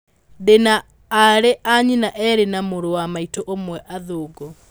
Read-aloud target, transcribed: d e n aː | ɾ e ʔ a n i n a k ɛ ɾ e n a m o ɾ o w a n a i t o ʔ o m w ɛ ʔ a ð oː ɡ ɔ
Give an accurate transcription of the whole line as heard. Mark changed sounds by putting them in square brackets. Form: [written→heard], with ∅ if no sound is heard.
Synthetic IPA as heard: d e n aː | ɾ e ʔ a [n→ɲ] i n a [k→ʔ] ɛ ɾ e n a m o ɾ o w a [n→m] a i t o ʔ o m w ɛ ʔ a ð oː ɡ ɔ